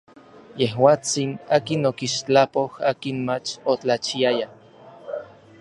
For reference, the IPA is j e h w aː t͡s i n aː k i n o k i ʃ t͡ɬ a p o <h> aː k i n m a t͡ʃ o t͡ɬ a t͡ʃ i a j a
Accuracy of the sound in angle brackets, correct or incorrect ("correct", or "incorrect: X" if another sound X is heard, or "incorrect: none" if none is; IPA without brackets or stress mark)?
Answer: correct